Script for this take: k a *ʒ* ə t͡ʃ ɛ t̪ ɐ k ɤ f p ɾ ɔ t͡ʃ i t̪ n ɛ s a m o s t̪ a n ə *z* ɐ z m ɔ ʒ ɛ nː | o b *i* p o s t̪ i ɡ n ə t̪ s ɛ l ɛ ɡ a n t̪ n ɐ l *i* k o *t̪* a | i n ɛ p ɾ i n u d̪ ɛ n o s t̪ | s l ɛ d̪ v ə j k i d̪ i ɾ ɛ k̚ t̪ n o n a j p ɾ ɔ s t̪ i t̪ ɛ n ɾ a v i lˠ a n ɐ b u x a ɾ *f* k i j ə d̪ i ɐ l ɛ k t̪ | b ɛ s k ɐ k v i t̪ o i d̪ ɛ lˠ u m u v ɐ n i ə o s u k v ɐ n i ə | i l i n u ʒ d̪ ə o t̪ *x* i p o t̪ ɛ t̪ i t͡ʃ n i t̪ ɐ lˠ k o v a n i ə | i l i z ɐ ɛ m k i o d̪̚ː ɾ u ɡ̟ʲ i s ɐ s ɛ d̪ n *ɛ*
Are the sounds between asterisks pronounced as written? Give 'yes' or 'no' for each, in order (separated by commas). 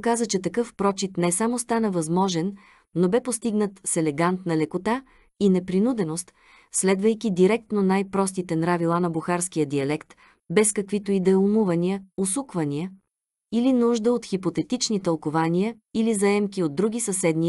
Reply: no, no, no, no, yes, no, yes, no